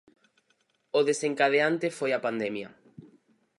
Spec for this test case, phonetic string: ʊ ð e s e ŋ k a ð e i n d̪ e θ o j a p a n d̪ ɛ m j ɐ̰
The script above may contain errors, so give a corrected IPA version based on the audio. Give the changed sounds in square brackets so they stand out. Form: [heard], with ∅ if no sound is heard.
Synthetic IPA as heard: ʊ ð e s e ŋ k a ð e [a] n [t̪] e [f] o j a p a n d̪ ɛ m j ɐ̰